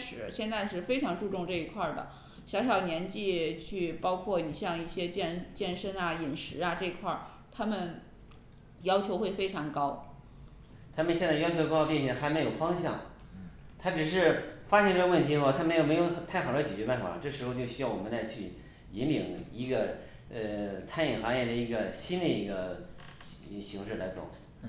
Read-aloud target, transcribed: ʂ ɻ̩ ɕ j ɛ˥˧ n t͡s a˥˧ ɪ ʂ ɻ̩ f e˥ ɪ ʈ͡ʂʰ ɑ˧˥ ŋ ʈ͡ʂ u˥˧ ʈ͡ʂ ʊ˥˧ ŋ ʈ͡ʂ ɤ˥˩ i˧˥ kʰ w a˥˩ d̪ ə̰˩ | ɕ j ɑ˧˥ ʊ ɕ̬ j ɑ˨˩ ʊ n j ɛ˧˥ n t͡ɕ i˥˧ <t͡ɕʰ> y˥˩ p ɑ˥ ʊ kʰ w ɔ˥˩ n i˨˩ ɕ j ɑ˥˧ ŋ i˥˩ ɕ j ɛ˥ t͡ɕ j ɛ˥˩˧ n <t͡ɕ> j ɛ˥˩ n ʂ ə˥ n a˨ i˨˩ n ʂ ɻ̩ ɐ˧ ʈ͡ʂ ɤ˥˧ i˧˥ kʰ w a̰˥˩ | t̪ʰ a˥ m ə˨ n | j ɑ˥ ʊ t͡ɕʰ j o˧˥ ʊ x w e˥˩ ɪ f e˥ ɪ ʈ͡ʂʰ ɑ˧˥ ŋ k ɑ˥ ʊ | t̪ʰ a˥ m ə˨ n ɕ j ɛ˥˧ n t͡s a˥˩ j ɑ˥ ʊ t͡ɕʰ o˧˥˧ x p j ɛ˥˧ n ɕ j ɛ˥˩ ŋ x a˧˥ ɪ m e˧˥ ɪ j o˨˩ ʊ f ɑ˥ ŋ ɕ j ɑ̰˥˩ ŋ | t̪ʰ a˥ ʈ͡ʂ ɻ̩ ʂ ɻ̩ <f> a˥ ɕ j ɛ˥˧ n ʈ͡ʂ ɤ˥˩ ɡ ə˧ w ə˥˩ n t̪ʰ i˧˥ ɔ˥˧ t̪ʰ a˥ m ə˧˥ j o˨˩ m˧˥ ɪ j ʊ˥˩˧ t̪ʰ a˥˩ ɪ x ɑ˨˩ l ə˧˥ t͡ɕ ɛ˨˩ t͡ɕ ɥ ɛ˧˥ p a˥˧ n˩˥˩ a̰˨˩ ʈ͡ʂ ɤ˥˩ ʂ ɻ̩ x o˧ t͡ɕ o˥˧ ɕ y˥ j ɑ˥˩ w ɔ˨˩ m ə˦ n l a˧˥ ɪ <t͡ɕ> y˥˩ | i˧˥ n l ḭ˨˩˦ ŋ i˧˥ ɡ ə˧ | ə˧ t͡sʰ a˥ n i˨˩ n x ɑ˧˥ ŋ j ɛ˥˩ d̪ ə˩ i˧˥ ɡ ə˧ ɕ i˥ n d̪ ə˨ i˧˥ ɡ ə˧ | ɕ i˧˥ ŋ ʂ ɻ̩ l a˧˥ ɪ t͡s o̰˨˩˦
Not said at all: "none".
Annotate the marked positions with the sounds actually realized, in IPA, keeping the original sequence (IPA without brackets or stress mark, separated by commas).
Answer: t͡ɕʰ, t͡ɕ, f, t͡ɕʰ